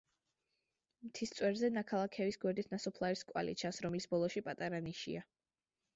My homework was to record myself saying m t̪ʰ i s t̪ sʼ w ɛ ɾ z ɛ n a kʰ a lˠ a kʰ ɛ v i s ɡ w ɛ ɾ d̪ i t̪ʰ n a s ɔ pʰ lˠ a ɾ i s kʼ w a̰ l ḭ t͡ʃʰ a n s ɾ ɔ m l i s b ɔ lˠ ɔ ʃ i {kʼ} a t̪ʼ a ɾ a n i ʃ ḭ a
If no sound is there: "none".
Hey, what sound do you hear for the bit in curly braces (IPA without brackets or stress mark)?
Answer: pʼ